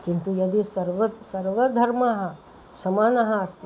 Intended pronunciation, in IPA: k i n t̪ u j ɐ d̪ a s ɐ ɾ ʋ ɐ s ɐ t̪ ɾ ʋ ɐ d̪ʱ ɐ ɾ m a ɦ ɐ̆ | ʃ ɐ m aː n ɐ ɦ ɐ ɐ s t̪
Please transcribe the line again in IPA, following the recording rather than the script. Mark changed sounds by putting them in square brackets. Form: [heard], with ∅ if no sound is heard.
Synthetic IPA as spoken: k i n t̪ u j ɐ d̪ [i] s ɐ ɾ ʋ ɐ s ɐ [∅] ɾ ʋ ɐ d̪ʱ ɐ ɾ m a ɦ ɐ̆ | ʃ ɐ m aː n ɐ ɦ ɐ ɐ s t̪